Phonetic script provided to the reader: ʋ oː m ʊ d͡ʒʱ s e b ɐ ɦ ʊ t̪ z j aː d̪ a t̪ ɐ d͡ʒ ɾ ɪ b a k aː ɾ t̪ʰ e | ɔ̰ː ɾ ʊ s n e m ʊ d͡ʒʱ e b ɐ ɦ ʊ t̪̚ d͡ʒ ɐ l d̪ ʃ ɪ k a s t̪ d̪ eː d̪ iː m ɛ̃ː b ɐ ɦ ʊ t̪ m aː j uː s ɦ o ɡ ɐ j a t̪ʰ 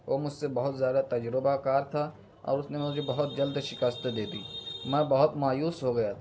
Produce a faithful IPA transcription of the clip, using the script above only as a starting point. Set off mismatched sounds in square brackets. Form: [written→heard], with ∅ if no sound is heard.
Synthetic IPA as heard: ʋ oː m ʊ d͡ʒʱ s e b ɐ ɦ ʊ t̪ z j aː d̪ a t̪ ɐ d͡ʒ ɾ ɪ b a k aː ɾ t̪ʰ [e→a] | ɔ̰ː ɾ ʊ s n e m ʊ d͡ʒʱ e b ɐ ɦ ʊ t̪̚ d͡ʒ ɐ l d̪ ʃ ɪ k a s t̪ d̪ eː d̪ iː m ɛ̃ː b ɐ ɦ ʊ t̪ m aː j uː s ɦ o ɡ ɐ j a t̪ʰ